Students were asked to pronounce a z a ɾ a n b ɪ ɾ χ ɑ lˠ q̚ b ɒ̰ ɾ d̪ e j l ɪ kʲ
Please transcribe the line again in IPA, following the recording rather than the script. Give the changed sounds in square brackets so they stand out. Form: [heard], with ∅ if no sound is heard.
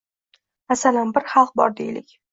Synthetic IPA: a [s] a [l] a n b ɪ ɾ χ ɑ lˠ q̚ b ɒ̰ ɾ d̪ e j l ɪ kʲ